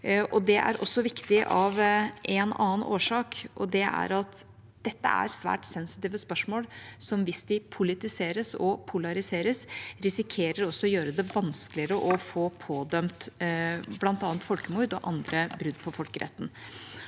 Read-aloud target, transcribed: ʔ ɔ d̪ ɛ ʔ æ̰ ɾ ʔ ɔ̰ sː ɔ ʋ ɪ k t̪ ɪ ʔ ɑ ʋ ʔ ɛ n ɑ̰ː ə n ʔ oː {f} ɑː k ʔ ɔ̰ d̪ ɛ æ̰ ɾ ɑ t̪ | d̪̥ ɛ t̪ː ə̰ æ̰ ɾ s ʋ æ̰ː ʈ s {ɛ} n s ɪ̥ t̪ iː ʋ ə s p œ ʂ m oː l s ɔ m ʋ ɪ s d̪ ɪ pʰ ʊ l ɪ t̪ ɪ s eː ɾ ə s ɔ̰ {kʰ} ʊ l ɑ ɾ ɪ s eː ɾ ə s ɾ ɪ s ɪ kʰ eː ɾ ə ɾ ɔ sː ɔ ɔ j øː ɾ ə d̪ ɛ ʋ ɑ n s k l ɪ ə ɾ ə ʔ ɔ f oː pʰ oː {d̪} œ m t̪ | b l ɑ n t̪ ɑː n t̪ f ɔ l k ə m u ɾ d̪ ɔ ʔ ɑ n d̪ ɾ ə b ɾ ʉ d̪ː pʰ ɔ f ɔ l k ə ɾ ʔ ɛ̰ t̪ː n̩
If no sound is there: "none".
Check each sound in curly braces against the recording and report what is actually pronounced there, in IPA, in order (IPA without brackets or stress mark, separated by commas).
ʂ, ɛ, pʰ, d̪